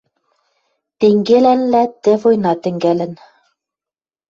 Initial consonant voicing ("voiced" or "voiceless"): voiceless